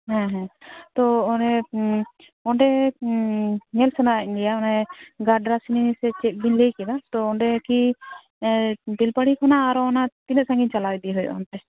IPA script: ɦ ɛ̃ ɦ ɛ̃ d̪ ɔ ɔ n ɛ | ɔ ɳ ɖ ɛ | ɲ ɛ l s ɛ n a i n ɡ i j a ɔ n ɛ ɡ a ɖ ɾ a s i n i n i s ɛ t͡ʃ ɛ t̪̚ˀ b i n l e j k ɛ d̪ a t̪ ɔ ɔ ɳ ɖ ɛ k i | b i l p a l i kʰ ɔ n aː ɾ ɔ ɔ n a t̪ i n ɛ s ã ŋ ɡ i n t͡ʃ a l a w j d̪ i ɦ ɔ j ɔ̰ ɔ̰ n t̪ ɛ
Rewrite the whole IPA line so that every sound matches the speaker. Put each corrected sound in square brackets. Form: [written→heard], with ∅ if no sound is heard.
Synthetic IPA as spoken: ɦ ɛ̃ ɦ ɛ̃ [d̪→t̪] ɔ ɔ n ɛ | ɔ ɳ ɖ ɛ | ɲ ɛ l s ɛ n a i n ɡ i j a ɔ n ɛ ɡ a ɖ ɾ a s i n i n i s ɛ t͡ʃ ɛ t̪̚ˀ b i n l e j k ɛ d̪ a t̪ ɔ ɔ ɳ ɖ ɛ k i | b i l p a [l→ɽ] i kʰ ɔ n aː ɾ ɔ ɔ n a t̪ i n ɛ s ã ŋ ɡ i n t͡ʃ a l a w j d̪ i ɦ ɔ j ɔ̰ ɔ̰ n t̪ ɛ

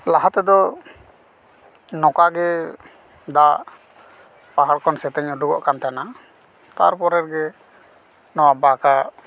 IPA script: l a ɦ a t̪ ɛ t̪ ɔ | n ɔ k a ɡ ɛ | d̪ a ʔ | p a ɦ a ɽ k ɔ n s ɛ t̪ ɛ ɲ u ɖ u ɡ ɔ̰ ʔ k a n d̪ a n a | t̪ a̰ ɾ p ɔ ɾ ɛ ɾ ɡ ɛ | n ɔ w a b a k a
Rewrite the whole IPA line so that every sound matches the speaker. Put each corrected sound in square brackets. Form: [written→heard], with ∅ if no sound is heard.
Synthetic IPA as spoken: l a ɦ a t̪ ɛ [t̪→d̪] ɔ | n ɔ k a ɡ ɛ | d̪ a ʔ | p a ɦ a ɽ k ɔ n s ɛ t̪ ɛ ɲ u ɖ u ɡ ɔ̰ ʔ k a n [d̪→t̪] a n a | t̪ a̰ ɾ p ɔ ɾ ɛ ɾ ɡ ɛ | n ɔ w a b a k a

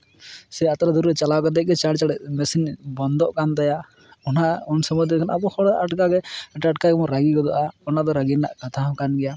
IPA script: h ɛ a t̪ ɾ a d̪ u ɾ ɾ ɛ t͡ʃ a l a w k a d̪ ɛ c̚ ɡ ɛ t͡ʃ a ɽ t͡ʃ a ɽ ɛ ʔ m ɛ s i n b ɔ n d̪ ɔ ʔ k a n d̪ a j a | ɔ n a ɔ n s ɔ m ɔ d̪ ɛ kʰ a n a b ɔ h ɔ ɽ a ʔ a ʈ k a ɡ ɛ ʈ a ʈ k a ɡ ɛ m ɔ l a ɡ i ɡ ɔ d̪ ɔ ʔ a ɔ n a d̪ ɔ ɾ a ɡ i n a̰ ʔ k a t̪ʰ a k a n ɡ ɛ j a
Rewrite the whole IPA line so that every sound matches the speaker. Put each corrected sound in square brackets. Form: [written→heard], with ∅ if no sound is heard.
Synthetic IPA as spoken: [h→s] ɛ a t̪ ɾ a d̪ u ɾ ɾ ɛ t͡ʃ a l a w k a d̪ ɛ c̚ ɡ ɛ t͡ʃ a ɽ t͡ʃ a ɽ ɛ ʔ m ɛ s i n b ɔ n d̪ ɔ ʔ k a n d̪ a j a | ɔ n a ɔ n s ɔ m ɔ d̪ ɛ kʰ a n a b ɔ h ɔ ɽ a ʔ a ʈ k a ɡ ɛ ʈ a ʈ k a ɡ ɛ m ɔ [l→ɾ] a ɡ i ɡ ɔ d̪ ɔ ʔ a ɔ n a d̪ ɔ ɾ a ɡ i n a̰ ʔ k a t̪ʰ a k a n ɡ ɛ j a

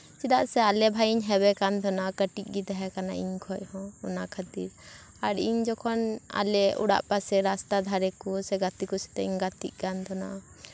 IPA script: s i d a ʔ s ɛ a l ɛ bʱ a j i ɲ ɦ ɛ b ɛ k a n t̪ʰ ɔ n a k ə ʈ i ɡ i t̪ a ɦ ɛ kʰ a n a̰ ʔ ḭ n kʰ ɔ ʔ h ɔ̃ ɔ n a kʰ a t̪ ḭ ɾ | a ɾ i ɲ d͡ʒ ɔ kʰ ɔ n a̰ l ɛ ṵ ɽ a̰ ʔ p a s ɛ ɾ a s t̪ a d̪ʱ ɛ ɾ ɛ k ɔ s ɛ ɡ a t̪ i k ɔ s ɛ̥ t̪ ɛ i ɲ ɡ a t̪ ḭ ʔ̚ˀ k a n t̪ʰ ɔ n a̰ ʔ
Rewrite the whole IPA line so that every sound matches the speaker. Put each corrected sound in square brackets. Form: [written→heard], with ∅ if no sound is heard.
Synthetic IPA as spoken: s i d a ʔ s ɛ a l ɛ bʱ a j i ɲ ɦ ɛ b ɛ k a n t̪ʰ ɔ n a k ə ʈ i ɡ i t̪ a ɦ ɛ [kʰ→k] a n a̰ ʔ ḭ [n→ɲ] kʰ ɔ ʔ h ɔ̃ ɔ n a kʰ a t̪ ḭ ɾ | a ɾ i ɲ d͡ʒ ɔ kʰ ɔ n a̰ l ɛ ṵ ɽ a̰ ʔ p a s ɛ ɾ a s t̪ a d̪ʱ [ɛ→a] ɾ ɛ k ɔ s ɛ ɡ a t̪ i k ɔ s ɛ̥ t̪ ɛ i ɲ ɡ a t̪ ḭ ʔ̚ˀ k a n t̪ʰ ɔ n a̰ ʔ

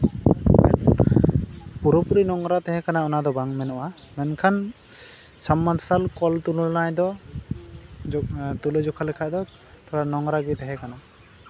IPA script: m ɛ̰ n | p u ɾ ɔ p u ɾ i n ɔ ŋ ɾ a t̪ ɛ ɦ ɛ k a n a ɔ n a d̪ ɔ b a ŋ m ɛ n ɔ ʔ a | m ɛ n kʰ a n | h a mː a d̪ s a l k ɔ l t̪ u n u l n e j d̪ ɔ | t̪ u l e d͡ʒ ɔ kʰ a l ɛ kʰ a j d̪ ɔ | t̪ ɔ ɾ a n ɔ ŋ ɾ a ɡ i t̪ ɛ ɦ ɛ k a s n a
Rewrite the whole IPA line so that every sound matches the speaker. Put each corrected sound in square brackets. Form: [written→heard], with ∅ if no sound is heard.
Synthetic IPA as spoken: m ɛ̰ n | p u ɾ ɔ p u ɾ i n ɔ ŋ ɾ a t̪ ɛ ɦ ɛ k a n a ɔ n a d̪ ɔ b a ŋ m ɛ n ɔ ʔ a | m ɛ n kʰ a n | [h→s] a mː a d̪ s a l k ɔ l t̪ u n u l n [e→a] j d̪ ɔ | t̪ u l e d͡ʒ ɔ kʰ a l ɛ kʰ a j d̪ ɔ | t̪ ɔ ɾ a n ɔ ŋ ɾ a ɡ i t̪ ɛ ɦ ɛ k a [s→∅] n a

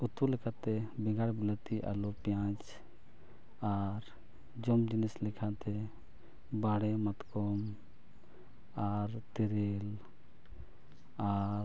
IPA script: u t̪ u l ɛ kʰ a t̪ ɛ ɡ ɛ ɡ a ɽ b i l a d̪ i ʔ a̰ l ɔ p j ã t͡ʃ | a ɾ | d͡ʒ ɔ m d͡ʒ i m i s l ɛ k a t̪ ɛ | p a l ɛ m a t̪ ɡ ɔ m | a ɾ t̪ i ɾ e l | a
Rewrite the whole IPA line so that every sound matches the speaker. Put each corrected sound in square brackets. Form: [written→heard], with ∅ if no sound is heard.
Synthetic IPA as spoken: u t̪ u l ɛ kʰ a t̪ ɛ [ɡ→b] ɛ ɡ a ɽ b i l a [d̪→t̪] i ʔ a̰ l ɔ p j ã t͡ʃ | a ɾ | d͡ʒ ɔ m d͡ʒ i [m→n] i s l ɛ [k→kʰ] a t̪ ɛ | [p→b] a [l→ɽ] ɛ m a t̪ [ɡ→k] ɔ m | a ɾ t̪ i ɾ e l | a

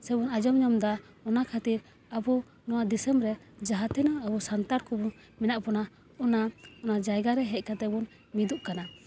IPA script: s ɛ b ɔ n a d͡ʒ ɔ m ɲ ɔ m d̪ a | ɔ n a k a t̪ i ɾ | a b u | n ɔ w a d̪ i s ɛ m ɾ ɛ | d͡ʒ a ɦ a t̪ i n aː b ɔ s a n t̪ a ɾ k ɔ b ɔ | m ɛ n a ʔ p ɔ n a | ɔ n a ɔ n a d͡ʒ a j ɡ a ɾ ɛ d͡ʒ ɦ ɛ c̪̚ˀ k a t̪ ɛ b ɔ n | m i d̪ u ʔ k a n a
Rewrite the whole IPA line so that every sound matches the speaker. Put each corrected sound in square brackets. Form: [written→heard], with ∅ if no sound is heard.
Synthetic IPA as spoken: s ɛ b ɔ n a d͡ʒ ɔ m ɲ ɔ m d̪ a | ɔ n a [k→kʰ] a t̪ i ɾ | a b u | n ɔ w a d̪ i s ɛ m ɾ ɛ | d͡ʒ a ɦ a t̪ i n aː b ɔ s a n t̪ a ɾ k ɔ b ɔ | m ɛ n a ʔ p ɔ n a | ɔ n a ɔ n a d͡ʒ a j ɡ a ɾ ɛ [d͡ʒ→∅] ɦ ɛ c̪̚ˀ k a t̪ ɛ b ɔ n | m i d̪ u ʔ k a n a

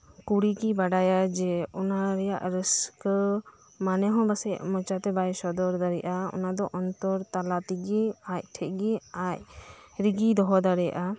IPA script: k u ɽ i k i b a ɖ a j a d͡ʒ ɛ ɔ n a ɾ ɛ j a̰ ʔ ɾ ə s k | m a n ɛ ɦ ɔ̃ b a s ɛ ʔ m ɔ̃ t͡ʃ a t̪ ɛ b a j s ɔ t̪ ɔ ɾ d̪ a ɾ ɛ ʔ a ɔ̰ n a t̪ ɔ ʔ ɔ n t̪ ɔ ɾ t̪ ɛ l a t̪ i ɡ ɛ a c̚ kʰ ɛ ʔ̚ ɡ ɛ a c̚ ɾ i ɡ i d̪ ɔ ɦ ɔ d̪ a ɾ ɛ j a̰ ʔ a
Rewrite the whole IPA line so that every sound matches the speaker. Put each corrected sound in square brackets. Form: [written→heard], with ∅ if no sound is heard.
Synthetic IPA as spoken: k u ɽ i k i b a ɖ a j a d͡ʒ ɛ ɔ n a ɾ ɛ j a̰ ʔ ɾ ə s k | m a n ɛ ɦ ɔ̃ b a s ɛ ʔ m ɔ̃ t͡ʃ a t̪ ɛ b a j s ɔ [t̪→d̪] ɔ ɾ d̪ a ɾ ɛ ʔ a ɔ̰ n a [t̪→d̪] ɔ ʔ ɔ n t̪ ɔ ɾ t̪ [ɛ→a] l a t̪ i ɡ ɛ a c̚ [kʰ→ʈʰ] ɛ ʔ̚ ɡ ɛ a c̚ ɾ i ɡ i d̪ ɔ ɦ ɔ d̪ a ɾ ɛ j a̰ ʔ a

